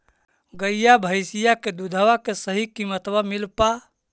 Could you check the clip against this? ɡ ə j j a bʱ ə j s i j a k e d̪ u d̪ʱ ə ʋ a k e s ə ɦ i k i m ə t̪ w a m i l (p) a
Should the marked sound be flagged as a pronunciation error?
no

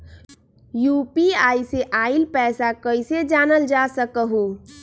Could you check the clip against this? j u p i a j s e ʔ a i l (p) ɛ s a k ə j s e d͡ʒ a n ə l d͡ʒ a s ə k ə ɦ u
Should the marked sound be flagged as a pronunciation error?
no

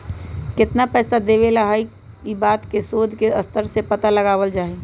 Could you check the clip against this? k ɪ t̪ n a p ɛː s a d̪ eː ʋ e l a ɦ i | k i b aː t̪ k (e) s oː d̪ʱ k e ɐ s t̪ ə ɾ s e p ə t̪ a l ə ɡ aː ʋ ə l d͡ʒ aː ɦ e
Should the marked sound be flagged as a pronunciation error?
no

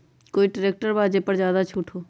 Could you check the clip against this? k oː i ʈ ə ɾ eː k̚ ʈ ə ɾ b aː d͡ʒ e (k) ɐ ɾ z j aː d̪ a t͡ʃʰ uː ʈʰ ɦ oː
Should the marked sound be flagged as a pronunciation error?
yes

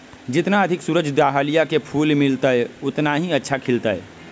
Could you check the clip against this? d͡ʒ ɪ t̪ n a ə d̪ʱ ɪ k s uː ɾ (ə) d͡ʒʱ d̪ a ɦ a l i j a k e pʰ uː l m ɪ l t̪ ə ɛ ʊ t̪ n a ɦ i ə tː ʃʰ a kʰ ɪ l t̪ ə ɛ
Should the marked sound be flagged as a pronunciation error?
no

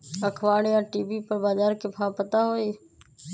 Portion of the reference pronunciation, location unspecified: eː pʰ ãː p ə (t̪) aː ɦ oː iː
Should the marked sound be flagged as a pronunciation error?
no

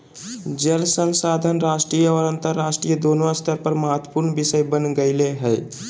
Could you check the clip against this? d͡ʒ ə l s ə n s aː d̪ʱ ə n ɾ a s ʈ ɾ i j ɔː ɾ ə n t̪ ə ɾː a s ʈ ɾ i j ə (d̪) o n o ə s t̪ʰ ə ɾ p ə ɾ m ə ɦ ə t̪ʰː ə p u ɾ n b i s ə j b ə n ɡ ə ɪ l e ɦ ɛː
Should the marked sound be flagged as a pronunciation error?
no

